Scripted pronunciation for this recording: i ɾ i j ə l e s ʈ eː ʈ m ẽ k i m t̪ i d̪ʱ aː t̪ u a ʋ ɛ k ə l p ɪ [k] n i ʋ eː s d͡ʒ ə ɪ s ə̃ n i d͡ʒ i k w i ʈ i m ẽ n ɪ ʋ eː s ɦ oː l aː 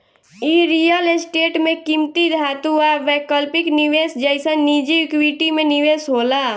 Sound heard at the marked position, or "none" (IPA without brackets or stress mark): k